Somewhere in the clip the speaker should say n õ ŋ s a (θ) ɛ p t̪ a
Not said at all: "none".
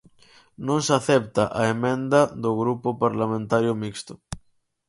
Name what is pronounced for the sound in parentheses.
θ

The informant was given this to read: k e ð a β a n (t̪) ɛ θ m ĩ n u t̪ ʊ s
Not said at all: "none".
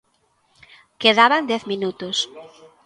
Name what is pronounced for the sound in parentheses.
d̪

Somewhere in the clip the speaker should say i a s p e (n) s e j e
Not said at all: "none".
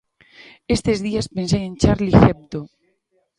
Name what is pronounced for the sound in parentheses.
n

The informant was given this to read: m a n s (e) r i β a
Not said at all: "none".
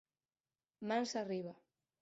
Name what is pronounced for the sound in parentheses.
a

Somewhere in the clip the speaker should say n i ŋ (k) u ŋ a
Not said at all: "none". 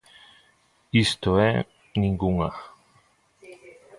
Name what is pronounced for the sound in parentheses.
ɡ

